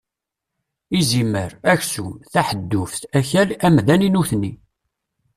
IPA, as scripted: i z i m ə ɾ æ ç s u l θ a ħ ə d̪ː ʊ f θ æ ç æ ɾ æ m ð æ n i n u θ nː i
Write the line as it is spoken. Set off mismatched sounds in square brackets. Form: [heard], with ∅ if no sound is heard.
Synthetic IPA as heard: i z i m ə ɾ æ ç s u [∅] θ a ħ ə d̪ː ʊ f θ æ ç æ [l] æ m ð æ n i n u θ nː i

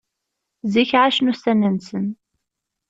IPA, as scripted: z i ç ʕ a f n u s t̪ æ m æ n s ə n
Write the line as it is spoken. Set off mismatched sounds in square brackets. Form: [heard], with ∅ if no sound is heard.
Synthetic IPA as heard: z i ç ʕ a [ʃ] n u s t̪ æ [n] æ n s ə n

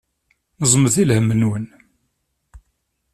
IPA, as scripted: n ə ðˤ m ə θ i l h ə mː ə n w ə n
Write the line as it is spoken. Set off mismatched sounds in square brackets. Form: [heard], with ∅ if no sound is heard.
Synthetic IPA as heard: n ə [zˤ] m ə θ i l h ə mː ə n w ə n

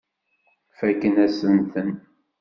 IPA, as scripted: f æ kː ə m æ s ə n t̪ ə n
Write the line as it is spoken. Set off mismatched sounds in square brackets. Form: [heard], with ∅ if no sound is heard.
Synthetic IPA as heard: f æ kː ə [n] æ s ə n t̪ ə n

